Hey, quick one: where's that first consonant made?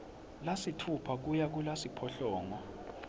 tongue tip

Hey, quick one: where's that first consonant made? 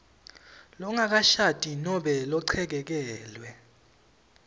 tongue tip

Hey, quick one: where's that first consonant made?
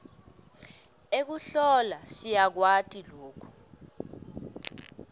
velum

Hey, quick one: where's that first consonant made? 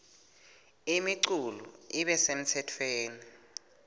lips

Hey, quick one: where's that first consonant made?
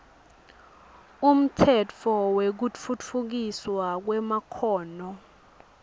lips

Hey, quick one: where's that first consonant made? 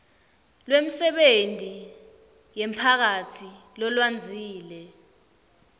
tongue tip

